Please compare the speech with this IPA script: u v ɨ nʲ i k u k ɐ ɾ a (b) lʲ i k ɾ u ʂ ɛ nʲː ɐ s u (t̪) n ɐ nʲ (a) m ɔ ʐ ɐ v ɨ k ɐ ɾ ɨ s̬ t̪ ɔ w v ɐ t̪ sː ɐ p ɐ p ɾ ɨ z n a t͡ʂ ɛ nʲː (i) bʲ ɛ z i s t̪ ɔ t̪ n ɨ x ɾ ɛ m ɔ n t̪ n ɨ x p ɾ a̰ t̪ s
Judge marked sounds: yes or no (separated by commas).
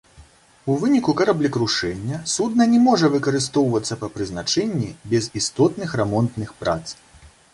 yes, no, no, yes